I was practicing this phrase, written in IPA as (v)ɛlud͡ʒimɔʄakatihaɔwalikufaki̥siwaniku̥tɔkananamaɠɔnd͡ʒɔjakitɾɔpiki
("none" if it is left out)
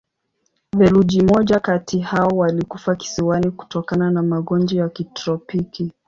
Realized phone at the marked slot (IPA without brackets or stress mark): v